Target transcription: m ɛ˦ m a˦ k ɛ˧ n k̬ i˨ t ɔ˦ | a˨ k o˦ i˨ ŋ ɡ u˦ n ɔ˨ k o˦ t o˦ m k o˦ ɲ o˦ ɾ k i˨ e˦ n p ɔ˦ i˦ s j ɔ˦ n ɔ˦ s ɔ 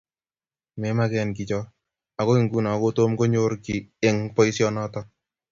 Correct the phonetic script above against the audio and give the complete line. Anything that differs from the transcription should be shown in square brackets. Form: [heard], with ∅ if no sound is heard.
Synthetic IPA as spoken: m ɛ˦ m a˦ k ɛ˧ n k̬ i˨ [t͡ʃ] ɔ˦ | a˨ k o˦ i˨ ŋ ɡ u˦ n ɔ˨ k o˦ t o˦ m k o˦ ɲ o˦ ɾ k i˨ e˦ [ŋ] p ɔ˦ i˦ s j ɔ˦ n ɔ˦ [t] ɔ